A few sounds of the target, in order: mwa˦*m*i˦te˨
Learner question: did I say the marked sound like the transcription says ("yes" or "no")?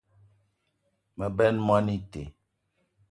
no